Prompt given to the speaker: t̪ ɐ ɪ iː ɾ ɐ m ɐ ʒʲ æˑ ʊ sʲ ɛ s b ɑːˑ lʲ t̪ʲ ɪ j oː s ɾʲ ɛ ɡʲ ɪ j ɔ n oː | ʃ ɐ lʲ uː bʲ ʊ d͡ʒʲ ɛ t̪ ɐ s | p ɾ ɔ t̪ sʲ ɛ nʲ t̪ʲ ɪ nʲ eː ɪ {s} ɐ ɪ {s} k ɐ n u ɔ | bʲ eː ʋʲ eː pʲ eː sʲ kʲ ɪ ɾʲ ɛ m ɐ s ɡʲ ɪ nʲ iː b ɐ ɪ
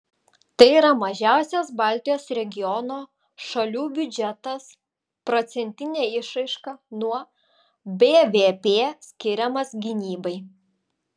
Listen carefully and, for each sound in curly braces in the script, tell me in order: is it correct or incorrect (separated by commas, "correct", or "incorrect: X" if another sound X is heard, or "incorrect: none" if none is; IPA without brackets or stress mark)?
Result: incorrect: ʃ, incorrect: ʃ